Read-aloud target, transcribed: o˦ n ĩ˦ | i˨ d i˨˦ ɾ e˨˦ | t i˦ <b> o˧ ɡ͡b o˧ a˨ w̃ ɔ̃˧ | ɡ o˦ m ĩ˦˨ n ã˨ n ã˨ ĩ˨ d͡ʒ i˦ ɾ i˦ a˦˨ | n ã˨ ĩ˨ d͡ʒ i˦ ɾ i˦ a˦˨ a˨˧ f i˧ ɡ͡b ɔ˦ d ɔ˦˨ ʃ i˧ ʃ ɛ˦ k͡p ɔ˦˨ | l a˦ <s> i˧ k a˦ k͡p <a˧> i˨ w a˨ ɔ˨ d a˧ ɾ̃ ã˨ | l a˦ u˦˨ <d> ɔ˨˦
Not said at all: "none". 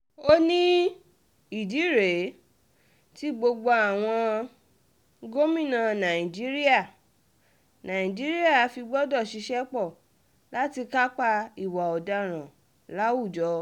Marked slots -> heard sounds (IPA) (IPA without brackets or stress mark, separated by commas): ɡ͡b, t, a˧, d͡ʒ